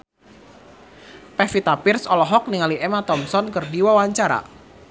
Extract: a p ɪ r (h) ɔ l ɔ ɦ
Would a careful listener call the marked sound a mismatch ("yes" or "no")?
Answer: yes